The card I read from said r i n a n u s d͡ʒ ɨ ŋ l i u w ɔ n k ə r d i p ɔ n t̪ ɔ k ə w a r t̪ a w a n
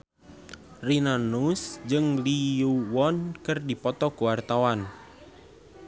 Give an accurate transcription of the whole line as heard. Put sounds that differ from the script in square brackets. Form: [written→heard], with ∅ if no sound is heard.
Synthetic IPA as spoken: r i n a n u s d͡ʒ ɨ ŋ l i u w ɔ n k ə r d i p ɔ [n→∅] t̪ ɔ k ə w a r t̪ a w a n